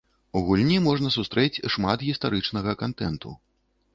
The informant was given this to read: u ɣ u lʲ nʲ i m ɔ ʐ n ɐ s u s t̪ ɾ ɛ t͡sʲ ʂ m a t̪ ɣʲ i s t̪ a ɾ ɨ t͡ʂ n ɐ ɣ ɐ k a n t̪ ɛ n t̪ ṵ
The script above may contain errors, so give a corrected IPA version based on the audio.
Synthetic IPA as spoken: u ɣ u lʲ nʲ i m ɔ ʐ n ɐ s u s t̪ ɾ ɛ t͡sʲ ʂ m a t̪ ɣʲ i s t̪ a ɾ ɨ t͡ʂ n ɐ ɣ ɐ k a n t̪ ɛ n t̪ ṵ